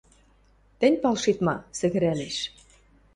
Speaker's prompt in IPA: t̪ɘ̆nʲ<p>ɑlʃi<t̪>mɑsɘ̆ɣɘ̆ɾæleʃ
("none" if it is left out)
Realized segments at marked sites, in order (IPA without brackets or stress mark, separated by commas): p, t̪